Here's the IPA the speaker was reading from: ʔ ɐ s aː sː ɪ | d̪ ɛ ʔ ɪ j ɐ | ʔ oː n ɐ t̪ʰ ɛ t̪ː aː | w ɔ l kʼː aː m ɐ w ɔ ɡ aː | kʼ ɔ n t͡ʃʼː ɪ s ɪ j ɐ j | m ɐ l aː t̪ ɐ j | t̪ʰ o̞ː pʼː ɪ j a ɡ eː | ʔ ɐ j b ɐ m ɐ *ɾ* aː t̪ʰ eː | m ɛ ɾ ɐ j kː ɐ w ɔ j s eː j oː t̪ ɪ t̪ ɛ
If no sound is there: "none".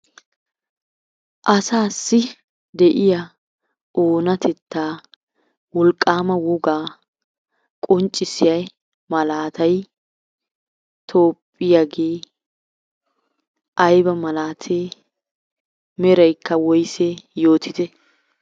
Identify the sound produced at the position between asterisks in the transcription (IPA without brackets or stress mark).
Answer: l